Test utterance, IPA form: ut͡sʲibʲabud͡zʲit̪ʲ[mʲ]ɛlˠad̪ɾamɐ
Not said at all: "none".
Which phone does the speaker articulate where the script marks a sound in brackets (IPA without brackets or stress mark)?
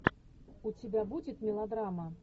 mʲ